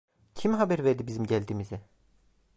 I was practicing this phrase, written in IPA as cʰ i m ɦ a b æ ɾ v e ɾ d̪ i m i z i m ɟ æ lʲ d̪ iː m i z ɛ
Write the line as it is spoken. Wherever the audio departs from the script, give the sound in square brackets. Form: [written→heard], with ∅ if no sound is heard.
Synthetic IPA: cʰ i m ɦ a b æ ɾ v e ɾ d̪ i [m→b] i z i m ɟ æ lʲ d̪ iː m i z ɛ